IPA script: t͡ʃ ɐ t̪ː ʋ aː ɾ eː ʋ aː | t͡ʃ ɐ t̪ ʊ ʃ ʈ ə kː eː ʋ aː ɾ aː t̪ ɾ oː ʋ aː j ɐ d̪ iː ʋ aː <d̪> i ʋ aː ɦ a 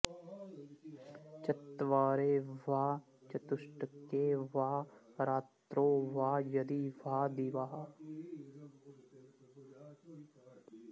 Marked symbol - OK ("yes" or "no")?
yes